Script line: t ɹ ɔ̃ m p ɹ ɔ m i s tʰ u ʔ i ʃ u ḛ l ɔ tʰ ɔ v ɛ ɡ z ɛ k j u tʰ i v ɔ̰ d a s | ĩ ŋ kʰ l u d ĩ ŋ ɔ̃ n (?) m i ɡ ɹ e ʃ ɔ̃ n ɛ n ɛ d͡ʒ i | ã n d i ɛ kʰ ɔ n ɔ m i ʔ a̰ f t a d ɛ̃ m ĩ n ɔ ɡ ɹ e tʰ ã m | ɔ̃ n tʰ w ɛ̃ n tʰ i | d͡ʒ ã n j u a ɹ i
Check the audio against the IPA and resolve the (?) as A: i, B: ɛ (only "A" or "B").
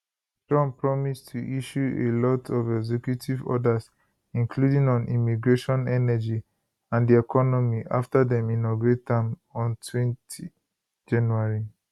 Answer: A